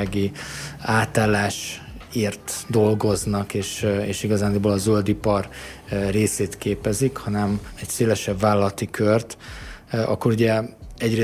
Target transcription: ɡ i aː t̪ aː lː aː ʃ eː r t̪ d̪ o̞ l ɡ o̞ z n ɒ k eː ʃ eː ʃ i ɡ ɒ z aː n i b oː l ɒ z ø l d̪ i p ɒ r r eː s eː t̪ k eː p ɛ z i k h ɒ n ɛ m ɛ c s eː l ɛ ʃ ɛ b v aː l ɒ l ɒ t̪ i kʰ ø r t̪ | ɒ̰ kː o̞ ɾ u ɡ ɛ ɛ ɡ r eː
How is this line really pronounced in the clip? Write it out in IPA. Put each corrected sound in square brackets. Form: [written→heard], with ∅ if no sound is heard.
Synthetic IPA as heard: ɡ i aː t̪ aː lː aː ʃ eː r t̪ d̪ o̞ l ɡ o̞ z n ɒ k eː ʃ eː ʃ i ɡ ɒ z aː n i b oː l ɒ z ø l d̪ i p ɒ r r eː s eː t̪ k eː p ɛ z i k h ɒ n ɛ m ɛ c s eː l ɛ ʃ ɛ b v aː l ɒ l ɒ t̪ i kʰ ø r t̪ | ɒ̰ kː o̞ ɾ u [ɡ→ɟ] ɛ ɛ [ɡ→ɟ] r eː